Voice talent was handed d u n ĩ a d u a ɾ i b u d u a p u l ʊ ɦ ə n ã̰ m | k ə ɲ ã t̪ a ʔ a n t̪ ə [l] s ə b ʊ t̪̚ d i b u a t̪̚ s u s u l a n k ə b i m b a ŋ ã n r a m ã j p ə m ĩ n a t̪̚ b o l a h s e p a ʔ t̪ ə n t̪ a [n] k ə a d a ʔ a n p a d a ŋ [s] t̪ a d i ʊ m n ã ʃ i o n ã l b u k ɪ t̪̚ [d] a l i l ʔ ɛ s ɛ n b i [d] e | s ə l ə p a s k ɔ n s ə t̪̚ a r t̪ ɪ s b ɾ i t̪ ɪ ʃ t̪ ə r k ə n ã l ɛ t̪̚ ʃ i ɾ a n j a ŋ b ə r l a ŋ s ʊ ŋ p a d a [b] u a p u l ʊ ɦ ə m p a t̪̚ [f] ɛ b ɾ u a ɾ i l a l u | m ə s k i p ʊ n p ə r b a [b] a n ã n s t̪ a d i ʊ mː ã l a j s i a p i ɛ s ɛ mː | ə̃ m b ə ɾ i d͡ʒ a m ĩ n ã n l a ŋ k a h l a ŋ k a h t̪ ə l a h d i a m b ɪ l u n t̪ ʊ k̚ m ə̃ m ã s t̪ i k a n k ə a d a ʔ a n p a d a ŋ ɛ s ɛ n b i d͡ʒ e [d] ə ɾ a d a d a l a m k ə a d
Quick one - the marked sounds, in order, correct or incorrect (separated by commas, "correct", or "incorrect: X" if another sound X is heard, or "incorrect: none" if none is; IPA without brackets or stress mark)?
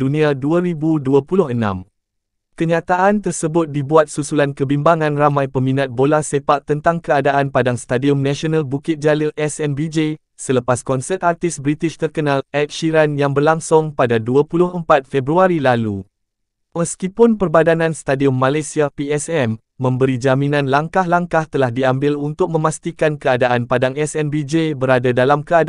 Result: incorrect: r, incorrect: ŋ, correct, incorrect: d͡ʒ, incorrect: d͡ʒ, incorrect: d, correct, incorrect: d, incorrect: b